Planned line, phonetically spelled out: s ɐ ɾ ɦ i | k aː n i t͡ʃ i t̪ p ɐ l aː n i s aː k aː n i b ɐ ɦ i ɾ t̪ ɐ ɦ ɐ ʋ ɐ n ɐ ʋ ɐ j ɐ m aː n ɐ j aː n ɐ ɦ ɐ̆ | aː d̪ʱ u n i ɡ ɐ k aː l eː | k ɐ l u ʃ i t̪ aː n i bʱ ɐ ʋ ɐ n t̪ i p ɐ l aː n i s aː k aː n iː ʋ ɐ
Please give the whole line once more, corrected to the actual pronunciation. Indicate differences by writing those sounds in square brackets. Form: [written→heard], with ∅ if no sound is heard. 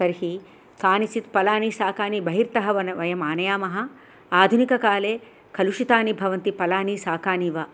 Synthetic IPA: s ɐ ɾ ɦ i | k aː n i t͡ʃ i t̪ p ɐ l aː n i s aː k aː n i b ɐ ɦ i ɾ t̪ ɐ ɦ ɐ ʋ ɐ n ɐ ʋ ɐ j ɐ m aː n ɐ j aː [n→m] ɐ ɦ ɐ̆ | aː d̪ʱ u n i [ɡ→k] ɐ k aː l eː | k ɐ l u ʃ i t̪ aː n i bʱ ɐ ʋ ɐ n t̪ i p ɐ l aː n i s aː k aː n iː ʋ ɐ